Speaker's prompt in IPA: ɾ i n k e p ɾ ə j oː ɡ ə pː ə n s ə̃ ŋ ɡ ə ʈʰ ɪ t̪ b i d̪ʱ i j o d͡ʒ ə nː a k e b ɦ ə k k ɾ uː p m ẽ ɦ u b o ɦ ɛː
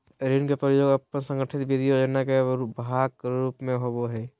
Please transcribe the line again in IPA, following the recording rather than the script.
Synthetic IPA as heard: ɾ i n k e p ɾ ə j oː ɡ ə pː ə n s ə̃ ŋ ɡ ə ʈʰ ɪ t̪ b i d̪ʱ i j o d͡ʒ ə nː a k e b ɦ a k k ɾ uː p m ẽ ɦ o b o ɦ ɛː